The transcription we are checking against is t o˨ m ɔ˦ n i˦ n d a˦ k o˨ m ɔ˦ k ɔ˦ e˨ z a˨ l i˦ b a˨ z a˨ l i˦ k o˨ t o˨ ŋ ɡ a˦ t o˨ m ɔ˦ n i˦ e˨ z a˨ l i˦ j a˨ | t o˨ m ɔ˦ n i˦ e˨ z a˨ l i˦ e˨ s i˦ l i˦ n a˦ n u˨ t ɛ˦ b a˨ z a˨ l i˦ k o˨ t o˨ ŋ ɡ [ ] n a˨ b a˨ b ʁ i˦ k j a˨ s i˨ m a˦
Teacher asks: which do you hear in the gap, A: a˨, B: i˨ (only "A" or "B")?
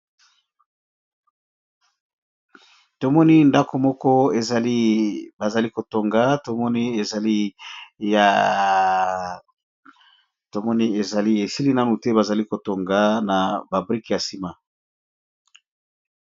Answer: A